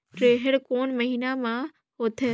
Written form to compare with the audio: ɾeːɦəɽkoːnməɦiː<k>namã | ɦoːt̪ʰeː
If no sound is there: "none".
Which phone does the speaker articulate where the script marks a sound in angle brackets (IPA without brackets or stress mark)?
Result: none